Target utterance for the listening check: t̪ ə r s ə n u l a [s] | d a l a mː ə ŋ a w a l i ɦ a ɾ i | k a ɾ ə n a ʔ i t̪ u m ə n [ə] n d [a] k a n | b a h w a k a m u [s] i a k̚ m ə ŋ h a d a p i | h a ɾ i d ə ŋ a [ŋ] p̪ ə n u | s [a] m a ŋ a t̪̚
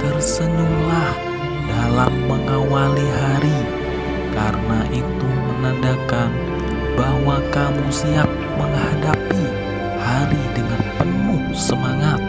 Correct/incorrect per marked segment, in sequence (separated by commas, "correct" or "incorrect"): incorrect, incorrect, correct, correct, incorrect, incorrect